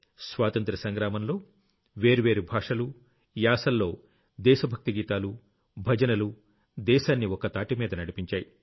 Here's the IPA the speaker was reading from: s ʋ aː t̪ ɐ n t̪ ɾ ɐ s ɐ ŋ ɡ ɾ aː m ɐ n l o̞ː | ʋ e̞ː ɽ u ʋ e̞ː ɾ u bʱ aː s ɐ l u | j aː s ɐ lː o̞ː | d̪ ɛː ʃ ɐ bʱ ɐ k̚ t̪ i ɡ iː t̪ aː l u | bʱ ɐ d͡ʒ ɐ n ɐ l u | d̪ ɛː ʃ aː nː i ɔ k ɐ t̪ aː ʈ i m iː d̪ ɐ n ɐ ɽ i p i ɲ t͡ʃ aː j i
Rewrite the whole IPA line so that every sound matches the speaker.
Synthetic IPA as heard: s ʋ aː t̪ ɐ n t̪ ɾ ɐ s ɐ ŋ ɡ ɾ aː m ɐ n l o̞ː | ʋ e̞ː ɾ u ʋ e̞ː ɾ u bʱ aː ʂ ɐ l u | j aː s ɐ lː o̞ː | d̪ ɛː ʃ ɐ bʱ ɐ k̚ t̪ i ɡ iː t̪ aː l u | bʱ ɐ d͡ʒ ɐ n ɐ l u | d̪ ɛː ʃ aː nː i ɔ k ɐ t̪ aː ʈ i m iː d̪ ɐ n ɐ ɽ i p i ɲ t͡ʃ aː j i